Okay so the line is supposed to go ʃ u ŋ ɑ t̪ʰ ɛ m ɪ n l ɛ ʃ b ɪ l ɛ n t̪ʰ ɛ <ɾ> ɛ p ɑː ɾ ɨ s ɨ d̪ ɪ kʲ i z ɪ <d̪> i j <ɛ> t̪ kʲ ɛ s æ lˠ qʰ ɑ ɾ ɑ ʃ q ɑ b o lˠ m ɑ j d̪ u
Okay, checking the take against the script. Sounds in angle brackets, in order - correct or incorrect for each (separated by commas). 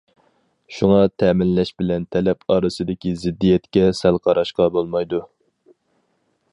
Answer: incorrect, incorrect, correct